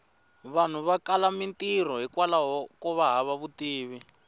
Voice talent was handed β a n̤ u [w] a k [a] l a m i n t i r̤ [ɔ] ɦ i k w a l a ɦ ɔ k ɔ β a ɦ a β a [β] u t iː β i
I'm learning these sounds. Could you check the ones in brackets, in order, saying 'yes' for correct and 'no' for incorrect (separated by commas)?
no, yes, yes, yes